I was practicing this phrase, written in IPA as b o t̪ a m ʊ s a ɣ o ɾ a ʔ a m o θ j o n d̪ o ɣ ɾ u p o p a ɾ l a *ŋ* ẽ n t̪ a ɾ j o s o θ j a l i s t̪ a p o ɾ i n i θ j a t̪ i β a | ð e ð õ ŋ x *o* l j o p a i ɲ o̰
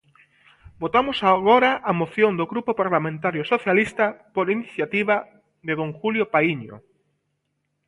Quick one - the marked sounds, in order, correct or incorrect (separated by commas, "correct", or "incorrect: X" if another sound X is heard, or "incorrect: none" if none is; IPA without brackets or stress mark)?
incorrect: m, incorrect: u